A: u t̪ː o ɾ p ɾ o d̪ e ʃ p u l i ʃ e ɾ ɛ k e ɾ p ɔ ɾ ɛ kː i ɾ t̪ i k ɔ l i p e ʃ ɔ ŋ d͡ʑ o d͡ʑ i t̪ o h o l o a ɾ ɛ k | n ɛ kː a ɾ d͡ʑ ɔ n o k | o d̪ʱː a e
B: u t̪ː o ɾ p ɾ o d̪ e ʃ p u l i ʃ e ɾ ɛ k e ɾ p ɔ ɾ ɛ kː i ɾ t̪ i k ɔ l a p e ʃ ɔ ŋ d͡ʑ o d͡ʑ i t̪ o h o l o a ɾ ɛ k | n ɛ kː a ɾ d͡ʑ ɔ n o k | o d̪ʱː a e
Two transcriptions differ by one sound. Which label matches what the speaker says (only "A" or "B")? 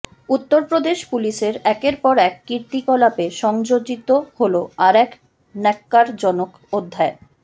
B